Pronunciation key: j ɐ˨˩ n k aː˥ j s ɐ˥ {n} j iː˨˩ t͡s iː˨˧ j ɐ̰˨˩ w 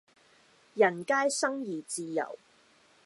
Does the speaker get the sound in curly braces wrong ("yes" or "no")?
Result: yes